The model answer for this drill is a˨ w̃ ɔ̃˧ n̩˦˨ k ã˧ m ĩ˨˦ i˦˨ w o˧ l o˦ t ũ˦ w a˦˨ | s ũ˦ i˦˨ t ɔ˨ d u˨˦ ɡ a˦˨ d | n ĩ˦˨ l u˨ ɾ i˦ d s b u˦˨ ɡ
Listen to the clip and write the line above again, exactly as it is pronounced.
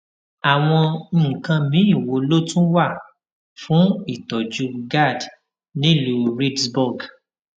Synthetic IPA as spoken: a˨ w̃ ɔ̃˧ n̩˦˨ k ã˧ m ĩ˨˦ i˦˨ w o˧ l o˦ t ũ˦ w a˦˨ | f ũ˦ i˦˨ t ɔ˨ d͡ʒ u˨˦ ɡ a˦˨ d | n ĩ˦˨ l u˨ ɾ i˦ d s b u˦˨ ɡ